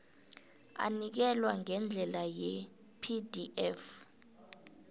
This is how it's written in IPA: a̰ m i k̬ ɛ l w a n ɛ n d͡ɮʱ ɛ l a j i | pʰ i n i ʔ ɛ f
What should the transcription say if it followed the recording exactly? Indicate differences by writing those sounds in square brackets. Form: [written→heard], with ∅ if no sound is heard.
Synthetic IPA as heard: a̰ [m→n] i k̬ ɛ l w a [n→ŋ] ɛ n d͡ɮʱ ɛ l a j [i→ɛ] | pʰ i [n→d] i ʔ ɛ f